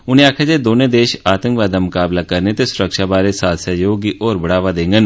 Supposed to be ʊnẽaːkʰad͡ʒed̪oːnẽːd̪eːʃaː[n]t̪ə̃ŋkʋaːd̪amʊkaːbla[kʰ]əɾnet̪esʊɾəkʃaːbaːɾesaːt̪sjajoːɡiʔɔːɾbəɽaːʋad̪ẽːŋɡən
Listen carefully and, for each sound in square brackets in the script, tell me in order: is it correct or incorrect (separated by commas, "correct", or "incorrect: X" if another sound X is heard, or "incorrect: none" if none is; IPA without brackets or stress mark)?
incorrect: none, incorrect: k